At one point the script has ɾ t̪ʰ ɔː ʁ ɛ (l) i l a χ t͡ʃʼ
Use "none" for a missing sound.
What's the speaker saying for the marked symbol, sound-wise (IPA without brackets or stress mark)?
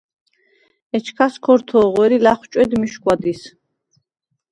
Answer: ɾ